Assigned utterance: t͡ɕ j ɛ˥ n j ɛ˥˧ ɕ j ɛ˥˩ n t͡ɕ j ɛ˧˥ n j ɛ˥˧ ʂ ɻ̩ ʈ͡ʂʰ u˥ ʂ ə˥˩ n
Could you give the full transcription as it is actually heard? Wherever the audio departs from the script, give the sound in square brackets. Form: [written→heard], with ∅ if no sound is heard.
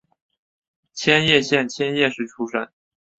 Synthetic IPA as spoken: [t͡ɕ→t͡ɕʰ] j ɛ˥ n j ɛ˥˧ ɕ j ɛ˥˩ n [t͡ɕ→t͡ɕʰ] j [ɛ˧˥→ɛ˥] n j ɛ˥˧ ʂ ɻ̩ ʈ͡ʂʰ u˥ ʂ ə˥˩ n